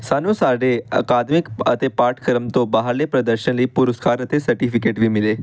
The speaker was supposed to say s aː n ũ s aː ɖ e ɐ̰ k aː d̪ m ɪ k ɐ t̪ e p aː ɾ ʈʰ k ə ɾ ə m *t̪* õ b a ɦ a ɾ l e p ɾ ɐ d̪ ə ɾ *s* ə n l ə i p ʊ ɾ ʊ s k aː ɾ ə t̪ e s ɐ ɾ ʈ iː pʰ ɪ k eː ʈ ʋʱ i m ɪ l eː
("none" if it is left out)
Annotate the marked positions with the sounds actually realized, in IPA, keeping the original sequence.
t̪, ʃ

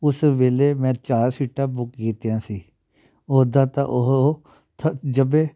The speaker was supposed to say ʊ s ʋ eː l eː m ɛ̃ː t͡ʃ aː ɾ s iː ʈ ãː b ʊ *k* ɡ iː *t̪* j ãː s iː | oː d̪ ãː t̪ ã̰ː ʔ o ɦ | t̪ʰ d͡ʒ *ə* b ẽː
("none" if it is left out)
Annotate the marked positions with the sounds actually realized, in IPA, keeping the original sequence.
k, t̪, ə

